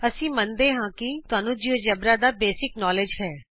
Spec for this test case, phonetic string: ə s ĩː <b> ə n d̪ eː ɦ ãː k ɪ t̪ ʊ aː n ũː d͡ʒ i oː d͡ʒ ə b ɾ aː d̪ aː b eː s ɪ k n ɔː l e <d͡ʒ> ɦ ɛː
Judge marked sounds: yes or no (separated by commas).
no, yes